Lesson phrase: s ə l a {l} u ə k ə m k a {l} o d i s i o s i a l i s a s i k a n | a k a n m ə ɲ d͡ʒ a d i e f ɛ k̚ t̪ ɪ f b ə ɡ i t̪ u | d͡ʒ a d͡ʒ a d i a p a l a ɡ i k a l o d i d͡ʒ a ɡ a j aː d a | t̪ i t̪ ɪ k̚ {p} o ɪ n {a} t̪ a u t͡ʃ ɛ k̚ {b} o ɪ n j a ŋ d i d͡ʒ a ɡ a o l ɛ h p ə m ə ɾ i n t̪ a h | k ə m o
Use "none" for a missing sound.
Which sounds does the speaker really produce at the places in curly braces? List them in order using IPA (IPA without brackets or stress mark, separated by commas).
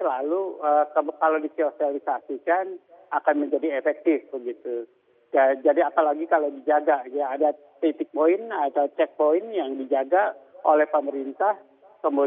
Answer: l, l, p, a, p